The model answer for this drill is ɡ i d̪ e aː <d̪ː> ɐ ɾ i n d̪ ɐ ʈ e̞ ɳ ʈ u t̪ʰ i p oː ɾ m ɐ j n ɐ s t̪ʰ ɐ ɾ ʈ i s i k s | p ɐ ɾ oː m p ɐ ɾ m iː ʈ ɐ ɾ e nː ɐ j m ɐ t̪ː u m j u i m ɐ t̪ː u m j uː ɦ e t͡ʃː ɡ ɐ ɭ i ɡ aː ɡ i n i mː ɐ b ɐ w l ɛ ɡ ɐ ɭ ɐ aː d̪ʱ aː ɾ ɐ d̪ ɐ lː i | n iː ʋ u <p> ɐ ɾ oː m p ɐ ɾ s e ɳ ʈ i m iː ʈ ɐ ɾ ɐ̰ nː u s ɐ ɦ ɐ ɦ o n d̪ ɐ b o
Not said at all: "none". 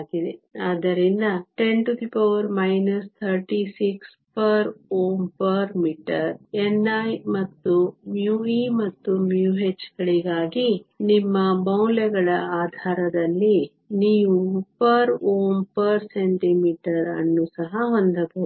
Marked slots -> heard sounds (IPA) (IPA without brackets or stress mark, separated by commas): d̪, p